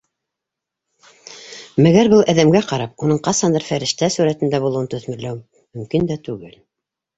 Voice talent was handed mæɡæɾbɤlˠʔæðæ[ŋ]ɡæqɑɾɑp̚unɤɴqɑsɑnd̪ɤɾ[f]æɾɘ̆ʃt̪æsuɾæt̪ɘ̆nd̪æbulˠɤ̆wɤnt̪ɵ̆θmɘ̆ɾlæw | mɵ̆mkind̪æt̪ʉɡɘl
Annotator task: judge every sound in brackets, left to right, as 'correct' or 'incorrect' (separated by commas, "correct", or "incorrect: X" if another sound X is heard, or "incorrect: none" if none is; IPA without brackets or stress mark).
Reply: incorrect: m, correct